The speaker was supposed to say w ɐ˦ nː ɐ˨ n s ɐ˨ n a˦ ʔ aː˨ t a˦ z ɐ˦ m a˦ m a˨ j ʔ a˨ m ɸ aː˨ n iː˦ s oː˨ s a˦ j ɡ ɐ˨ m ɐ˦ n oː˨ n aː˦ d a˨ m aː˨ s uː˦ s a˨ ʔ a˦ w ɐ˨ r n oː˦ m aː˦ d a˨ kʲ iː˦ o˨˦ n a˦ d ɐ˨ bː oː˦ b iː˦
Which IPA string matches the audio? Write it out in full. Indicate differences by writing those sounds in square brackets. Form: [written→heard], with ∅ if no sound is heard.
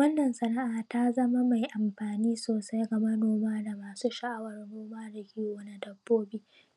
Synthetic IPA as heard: w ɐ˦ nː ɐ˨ n s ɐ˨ n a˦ ʔ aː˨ t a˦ z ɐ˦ m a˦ m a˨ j ʔ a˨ m ɸ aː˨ n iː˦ s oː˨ s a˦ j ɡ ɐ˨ m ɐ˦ n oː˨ [n→m] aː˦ d a˨ m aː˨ s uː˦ [s→ʃ] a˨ ʔ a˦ w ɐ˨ r n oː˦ m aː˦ d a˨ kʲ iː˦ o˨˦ n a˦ d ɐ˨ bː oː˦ b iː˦